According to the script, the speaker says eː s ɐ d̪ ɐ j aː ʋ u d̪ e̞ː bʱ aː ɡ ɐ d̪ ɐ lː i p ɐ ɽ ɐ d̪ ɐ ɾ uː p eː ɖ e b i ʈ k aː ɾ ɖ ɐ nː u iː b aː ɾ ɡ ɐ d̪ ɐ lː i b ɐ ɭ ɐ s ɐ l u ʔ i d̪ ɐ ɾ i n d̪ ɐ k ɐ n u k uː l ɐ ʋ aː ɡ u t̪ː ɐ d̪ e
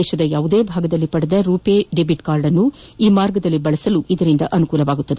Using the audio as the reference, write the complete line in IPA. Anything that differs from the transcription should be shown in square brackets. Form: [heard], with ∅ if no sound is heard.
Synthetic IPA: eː [ʃ] ɐ d̪ ɐ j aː ʋ u d̪ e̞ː bʱ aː ɡ ɐ d̪ ɐ lː i p ɐ ɽ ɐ d̪ ɐ ɾ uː p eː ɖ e b i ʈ k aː ɾ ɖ ɐ nː u iː [m] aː ɾ ɡ ɐ d̪ ɐ lː i b ɐ ɭ ɐ s ɐ l u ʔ i d̪ ɐ ɾ i n d̪ ɐ [ʔ] ɐ n u k uː l ɐ ʋ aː ɡ u t̪ː ɐ d̪ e